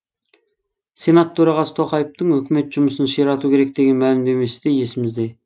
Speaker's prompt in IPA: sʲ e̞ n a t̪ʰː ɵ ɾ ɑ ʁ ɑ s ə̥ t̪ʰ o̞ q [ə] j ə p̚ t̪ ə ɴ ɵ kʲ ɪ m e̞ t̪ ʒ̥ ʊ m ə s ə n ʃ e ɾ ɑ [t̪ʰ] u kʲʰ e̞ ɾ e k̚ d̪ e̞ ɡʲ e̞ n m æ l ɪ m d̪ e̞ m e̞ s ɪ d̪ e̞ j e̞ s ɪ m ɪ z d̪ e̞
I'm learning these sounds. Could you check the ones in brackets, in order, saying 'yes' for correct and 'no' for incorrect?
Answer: no, no

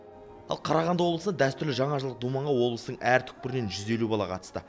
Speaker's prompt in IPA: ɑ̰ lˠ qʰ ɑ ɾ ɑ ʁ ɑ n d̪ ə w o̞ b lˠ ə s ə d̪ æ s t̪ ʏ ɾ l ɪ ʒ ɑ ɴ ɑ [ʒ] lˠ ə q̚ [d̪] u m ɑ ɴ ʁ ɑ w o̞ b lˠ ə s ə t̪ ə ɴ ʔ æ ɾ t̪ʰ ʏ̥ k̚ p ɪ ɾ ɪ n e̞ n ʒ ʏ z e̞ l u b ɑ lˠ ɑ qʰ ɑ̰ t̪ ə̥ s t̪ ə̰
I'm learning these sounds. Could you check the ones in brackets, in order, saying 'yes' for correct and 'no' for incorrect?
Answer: yes, yes

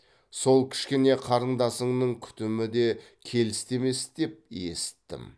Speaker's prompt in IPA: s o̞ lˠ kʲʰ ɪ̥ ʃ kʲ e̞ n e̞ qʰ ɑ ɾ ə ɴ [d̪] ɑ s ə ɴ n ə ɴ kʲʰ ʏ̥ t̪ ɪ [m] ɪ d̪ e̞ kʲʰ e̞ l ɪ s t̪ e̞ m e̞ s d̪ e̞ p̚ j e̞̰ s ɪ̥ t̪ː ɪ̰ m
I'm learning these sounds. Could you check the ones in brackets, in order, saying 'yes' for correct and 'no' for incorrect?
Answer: yes, yes

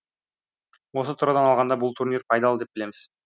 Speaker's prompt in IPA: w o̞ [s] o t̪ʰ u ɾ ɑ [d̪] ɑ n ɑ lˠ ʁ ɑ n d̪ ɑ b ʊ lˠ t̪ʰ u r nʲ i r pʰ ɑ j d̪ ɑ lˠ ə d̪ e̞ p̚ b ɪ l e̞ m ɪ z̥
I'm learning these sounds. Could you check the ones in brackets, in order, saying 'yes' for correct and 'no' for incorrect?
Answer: yes, yes

